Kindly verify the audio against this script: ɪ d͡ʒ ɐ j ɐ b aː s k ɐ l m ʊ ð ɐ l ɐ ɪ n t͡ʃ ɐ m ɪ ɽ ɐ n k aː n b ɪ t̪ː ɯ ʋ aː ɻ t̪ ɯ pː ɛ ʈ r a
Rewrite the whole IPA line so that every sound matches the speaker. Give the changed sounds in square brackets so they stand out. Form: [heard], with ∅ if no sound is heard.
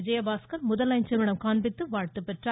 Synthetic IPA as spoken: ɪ d͡ʒ ɐ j ɐ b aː s k ɐ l m ʊ ð ɐ l ɐ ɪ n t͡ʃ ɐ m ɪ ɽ ɐ [m] k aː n b ɪ t̪ː ɯ ʋ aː ɻ t̪ ɯ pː ɛ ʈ r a